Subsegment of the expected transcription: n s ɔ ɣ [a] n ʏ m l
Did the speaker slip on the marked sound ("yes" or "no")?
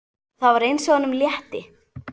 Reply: no